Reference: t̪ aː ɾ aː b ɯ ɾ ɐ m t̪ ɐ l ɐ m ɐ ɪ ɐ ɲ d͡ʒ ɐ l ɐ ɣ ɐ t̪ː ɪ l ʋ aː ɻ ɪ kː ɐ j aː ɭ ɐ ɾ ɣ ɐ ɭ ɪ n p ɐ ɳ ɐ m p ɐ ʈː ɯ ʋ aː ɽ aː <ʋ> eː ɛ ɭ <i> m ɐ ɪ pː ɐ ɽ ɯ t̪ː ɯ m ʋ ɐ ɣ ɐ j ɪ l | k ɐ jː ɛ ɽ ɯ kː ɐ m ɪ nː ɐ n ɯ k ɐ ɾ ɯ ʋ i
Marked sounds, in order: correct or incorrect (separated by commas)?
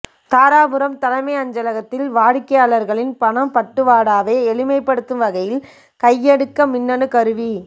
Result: correct, incorrect